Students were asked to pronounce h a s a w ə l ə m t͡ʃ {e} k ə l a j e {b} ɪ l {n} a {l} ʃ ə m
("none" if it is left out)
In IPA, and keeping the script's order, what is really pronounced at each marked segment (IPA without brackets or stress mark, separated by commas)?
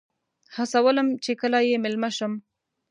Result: e, m, m, none